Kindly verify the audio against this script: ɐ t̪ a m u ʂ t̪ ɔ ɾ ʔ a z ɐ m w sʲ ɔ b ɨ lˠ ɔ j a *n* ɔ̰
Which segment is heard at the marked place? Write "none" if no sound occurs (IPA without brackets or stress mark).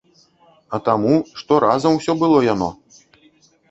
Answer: n